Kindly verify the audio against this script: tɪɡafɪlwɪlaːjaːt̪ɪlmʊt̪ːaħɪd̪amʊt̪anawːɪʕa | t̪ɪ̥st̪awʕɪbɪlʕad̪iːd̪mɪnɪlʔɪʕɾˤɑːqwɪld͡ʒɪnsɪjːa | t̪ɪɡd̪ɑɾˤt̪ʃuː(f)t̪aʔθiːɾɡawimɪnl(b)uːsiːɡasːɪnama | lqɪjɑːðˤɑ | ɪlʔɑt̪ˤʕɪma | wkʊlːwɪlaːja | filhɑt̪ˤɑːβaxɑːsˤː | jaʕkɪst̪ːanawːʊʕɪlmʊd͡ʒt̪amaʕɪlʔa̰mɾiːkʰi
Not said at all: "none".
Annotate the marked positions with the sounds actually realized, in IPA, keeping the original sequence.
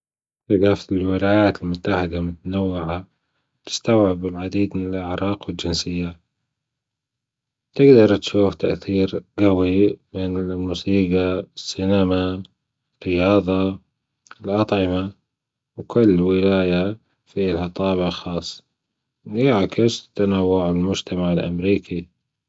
f, m

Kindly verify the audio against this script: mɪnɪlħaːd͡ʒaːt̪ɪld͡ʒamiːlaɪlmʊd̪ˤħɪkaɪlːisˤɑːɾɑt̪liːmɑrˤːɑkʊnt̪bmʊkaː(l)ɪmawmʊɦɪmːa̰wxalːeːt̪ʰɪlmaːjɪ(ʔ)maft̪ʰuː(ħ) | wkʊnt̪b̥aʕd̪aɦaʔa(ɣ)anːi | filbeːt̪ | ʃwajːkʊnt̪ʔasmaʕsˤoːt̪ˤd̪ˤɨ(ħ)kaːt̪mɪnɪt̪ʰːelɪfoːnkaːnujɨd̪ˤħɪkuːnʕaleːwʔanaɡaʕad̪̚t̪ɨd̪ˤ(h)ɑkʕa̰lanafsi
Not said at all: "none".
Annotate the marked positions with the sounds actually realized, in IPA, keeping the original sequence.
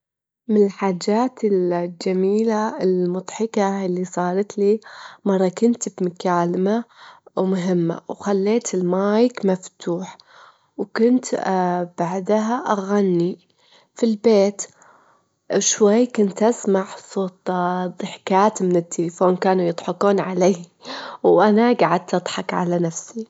l, k, ħ, ɣ, ħ, ħ

